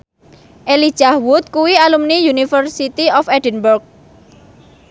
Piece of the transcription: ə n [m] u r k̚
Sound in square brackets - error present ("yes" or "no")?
yes